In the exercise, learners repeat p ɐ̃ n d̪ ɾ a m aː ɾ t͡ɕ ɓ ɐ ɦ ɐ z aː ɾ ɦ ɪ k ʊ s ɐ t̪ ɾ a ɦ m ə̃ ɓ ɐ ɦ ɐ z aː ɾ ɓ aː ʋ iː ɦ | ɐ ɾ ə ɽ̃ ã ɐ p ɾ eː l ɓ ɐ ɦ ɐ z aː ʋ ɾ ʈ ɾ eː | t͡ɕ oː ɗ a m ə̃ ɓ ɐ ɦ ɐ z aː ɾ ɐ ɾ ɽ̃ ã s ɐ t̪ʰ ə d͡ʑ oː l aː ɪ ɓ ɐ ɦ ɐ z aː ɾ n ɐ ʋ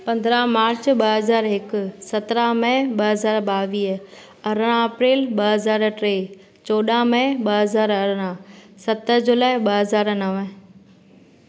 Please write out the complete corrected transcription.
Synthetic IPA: p ɐ̃ n d̪ ɾ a m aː ɾ t͡ɕ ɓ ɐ ɦ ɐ z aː ɾ ɦ ɪ k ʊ s ɐ t̪ ɾ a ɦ m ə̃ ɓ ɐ ɦ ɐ z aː ɾ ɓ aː ʋ iː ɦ | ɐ ɾ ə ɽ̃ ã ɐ p ɾ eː l ɓ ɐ ɦ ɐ z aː ɾ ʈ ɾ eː | t͡ɕ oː ɗ a m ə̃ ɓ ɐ ɦ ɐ z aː ɾ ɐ ɾ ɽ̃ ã s ɐ t̪ ə d͡ʑ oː l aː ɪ ɓ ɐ ɦ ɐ z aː ɾ n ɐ ʋ